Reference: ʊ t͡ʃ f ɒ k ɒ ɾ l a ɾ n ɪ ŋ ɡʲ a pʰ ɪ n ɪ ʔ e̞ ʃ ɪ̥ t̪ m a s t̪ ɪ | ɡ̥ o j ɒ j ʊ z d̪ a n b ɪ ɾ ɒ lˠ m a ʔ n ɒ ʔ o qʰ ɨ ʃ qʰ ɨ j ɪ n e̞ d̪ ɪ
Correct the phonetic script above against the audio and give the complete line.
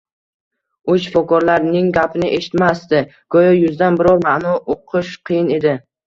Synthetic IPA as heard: ʊ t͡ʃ f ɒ k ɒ ɾ l a ɾ n ɪ ŋ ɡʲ a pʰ ɪ n ɪ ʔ e̞ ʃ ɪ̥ t̪ m a s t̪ ɪ | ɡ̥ ɒ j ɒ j ʊ z d̪ a n b ɪ ɾ ɒ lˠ m a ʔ n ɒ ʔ o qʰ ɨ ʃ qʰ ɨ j ɪ n e̞ d̪ ɪ